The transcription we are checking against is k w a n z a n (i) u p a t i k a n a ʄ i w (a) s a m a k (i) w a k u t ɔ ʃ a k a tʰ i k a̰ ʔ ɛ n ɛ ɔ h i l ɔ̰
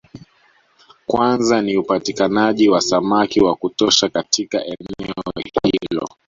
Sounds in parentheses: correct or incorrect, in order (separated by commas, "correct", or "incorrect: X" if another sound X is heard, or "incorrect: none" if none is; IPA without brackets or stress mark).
correct, correct, correct